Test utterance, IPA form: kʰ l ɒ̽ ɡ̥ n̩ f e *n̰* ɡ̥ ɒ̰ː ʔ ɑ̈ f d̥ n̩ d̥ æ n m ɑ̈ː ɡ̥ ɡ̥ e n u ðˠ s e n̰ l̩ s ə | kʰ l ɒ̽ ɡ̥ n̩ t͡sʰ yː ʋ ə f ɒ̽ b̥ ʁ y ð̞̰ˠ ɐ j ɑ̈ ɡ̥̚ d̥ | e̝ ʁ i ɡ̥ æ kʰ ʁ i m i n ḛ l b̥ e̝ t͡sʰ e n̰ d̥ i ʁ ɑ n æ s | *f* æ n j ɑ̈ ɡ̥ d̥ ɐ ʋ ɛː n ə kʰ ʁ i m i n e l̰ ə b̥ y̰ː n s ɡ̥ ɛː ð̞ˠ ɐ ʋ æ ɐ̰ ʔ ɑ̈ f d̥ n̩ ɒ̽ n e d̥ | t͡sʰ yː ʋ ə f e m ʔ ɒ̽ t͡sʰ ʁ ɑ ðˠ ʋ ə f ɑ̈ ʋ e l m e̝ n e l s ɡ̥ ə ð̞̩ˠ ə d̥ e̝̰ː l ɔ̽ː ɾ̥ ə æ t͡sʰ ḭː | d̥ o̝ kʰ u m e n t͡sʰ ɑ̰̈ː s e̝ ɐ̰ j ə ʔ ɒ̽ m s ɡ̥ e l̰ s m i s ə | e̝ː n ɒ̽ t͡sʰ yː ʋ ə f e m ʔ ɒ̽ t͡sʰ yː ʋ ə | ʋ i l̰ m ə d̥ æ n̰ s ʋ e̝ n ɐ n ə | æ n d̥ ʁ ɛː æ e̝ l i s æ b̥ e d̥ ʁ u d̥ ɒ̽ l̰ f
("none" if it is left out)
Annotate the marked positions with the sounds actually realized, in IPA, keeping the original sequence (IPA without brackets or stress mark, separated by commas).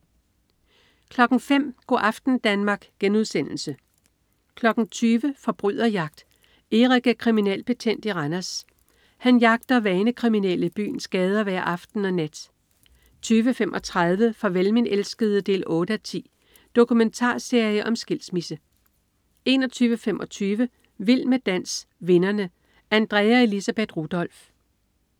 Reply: m̰, h